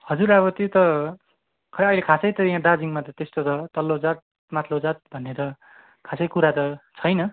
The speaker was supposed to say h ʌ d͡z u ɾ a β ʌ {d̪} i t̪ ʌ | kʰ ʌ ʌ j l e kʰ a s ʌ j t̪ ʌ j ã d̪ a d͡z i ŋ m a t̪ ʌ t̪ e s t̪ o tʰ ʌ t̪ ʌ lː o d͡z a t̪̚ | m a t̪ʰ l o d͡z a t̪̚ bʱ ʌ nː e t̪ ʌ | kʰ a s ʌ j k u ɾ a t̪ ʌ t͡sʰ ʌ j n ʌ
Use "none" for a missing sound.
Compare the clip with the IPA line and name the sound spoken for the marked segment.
t̪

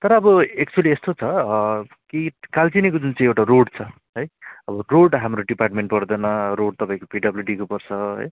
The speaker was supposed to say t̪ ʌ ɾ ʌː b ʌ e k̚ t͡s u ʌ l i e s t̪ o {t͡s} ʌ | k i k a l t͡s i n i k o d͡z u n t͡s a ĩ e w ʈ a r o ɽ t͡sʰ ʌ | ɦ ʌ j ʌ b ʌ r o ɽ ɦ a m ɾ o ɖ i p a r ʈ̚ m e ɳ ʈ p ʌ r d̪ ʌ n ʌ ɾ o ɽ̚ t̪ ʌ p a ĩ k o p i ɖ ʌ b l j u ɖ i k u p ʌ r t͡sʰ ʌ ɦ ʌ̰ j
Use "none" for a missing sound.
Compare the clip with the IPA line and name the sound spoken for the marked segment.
t͡sʰ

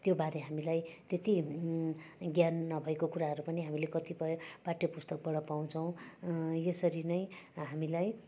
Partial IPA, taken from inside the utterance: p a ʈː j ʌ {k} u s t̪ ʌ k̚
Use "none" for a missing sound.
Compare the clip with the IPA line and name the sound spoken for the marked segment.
p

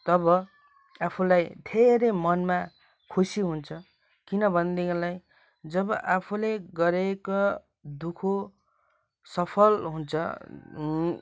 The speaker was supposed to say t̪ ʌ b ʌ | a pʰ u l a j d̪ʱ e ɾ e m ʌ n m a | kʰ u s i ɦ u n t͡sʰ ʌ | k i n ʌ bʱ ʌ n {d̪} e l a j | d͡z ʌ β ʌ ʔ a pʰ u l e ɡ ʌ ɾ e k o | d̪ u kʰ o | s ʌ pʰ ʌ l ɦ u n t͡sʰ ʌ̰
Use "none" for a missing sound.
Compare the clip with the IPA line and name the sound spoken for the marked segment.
d̪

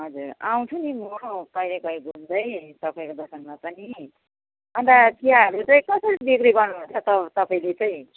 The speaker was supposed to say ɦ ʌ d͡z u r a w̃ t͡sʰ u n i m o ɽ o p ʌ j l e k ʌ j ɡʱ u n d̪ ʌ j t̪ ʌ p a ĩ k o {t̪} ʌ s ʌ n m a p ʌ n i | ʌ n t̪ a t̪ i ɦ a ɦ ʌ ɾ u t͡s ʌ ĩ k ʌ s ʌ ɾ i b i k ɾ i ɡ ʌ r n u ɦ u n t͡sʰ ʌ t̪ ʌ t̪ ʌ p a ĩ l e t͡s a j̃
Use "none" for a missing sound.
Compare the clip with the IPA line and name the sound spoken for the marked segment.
d̪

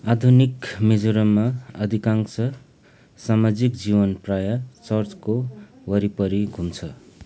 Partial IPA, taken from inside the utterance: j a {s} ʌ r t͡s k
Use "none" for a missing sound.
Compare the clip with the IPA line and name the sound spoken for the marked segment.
t͡s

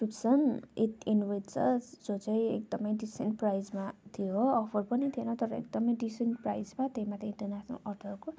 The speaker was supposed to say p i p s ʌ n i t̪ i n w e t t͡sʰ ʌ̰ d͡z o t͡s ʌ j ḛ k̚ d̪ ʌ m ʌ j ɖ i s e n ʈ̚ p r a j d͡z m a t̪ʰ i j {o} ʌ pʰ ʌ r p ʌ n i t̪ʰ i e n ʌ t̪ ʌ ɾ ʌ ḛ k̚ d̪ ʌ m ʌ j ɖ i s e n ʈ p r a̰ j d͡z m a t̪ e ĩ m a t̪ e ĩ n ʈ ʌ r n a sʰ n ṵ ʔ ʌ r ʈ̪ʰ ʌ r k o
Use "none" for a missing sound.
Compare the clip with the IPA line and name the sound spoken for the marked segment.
o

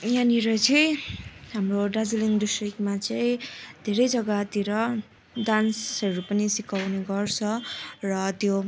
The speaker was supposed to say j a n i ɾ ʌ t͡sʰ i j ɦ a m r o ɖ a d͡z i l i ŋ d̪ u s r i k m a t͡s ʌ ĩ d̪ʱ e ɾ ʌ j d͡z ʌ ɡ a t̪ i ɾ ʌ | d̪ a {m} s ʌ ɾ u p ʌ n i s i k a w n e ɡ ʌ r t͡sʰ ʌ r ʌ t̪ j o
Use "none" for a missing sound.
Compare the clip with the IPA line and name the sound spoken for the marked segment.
n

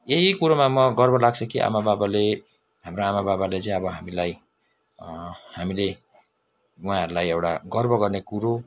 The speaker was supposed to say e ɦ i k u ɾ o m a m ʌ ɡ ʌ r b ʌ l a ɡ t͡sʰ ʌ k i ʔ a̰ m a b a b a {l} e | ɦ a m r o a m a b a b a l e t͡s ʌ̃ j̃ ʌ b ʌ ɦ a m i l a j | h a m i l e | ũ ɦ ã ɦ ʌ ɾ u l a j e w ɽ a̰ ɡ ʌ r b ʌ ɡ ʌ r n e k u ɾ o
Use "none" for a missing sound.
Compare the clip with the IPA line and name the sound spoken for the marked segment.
l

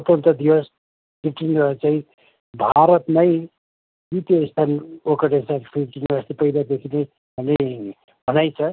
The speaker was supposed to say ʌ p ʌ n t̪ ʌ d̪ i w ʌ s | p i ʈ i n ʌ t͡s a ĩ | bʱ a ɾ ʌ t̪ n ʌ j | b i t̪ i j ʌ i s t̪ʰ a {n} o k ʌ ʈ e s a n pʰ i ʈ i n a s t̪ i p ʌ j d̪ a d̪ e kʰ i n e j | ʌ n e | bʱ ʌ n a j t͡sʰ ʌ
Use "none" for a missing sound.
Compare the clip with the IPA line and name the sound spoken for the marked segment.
n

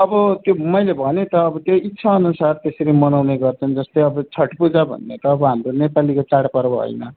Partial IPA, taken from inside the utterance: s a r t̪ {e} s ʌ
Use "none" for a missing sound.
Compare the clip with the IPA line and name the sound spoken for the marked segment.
e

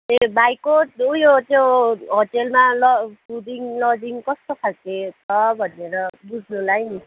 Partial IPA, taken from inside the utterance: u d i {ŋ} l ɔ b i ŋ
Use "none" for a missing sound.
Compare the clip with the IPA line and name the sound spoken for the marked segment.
ŋ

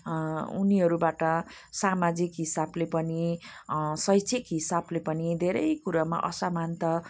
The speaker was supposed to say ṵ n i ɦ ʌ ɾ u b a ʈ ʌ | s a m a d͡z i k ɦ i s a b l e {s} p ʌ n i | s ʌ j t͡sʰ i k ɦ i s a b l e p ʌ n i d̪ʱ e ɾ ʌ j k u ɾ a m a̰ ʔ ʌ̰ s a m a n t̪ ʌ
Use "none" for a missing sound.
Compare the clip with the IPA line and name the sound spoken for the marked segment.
none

